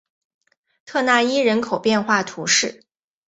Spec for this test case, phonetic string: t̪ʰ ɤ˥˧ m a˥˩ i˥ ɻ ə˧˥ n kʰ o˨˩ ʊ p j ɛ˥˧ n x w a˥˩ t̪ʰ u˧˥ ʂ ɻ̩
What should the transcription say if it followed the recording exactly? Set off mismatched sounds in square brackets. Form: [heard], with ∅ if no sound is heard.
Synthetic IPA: t̪ʰ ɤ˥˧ [n] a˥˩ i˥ ɻ ə˧˥ n kʰ o˨˩ ʊ p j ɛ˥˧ n x w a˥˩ t̪ʰ u˧˥ ʂ ɻ̩